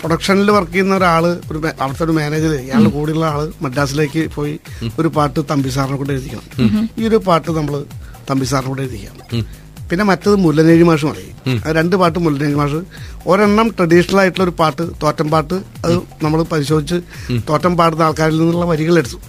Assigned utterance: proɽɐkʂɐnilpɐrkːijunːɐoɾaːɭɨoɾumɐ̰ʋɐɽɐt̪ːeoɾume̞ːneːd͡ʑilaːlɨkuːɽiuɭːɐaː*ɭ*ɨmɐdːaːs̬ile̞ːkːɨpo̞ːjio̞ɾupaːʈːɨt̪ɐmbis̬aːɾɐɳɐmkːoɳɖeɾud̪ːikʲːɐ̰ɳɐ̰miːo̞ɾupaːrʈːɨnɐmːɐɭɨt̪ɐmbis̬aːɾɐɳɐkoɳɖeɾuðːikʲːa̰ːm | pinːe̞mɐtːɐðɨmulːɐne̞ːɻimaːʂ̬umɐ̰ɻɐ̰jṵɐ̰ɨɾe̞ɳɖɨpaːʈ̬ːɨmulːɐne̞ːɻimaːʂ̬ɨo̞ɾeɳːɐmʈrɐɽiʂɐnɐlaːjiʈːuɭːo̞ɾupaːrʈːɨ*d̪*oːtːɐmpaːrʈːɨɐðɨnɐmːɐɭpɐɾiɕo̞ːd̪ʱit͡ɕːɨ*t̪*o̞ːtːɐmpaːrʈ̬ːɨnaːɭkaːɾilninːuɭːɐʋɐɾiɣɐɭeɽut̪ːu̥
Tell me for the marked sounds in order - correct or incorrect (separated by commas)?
correct, incorrect, correct